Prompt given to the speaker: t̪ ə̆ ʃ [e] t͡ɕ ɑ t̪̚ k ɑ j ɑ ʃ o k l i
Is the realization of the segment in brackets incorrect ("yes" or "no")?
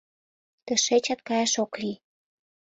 no